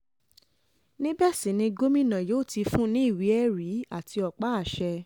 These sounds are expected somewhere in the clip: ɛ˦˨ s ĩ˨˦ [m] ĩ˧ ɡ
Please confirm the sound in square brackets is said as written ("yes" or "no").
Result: no